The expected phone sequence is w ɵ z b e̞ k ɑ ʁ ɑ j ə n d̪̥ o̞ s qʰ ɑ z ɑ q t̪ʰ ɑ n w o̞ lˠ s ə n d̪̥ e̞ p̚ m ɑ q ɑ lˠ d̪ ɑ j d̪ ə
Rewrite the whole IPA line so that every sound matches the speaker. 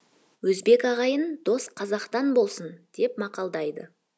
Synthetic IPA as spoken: w ɵ z b e̞ k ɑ ʁ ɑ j ə n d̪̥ o̞ s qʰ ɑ z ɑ q t̪ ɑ n b o̞ lˠ s ə n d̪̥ e̞ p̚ m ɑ q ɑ lˠ d̪ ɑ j d̪ ə